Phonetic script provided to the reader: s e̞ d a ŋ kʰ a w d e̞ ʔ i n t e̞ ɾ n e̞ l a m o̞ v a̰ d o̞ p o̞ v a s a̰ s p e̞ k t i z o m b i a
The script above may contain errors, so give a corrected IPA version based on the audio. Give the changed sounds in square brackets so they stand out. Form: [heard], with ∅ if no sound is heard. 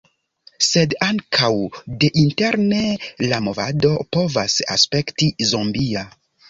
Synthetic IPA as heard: s e̞ d a ŋ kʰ a w d e̞ ʔ i n t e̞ ɾ n e̞ l a m o̞ v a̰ d o̞ p o̞ v a s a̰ s p e̞ k t i z o m b i a